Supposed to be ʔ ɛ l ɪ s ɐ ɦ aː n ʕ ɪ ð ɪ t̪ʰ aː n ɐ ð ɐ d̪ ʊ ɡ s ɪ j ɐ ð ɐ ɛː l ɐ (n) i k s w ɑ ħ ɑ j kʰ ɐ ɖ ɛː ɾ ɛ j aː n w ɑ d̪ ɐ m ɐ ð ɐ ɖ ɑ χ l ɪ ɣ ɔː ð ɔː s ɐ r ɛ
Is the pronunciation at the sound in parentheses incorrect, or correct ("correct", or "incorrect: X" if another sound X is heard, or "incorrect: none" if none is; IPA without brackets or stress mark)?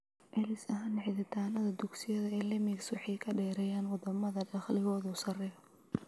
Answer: incorrect: m